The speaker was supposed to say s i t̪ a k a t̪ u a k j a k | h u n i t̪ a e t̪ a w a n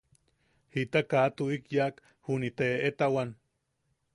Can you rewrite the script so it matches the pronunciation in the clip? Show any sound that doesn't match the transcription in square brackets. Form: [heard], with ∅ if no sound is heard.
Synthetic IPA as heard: [h] i t̪ a k a t̪ u [i] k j a k | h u n i t̪ [e] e t̪ a w a n